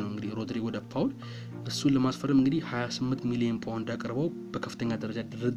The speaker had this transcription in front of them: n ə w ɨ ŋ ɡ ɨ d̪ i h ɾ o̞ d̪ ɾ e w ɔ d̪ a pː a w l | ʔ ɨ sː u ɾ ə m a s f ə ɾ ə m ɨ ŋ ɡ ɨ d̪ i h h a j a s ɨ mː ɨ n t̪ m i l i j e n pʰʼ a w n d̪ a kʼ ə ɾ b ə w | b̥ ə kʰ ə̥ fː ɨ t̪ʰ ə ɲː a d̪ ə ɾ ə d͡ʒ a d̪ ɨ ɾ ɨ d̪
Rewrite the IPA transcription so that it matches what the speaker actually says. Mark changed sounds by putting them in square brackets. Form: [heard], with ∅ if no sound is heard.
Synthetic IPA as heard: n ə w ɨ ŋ ɡ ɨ d̪ i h ɾ o̞ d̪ ɾ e w ɔ d̪ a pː a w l | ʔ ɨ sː u [l] ə m a s f ə ɾ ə m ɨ ŋ ɡ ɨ d̪ i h h a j a s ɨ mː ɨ n t̪ m i l i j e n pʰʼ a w n d̪ a kʼ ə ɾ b ə w | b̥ ə kʰ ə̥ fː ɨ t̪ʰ ə ɲː a d̪ ə ɾ ə d͡ʒ a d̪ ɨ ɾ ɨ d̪